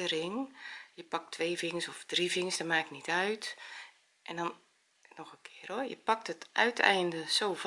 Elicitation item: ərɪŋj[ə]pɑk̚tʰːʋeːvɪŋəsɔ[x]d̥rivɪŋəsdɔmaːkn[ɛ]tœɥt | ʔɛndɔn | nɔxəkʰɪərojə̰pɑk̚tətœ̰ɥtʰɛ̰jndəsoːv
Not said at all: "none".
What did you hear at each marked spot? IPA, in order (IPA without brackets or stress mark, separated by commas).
ə, f, i